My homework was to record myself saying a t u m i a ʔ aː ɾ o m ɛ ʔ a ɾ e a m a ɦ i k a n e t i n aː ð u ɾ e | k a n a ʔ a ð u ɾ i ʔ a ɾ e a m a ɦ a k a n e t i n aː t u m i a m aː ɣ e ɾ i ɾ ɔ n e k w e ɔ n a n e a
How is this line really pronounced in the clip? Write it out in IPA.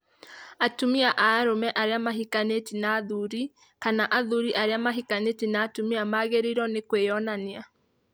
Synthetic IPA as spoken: a t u m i a ʔ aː ɾ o m ɛ ʔ a ɾ e a m a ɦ i k a n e t i n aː ð u ɾ i | k a n a ʔ a ð u ɾ i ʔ a ɾ e a m a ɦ i k a n e t i n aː t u m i a m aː ɣ e ɾ i ɾ ɔ n e k w e ɔ n a n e a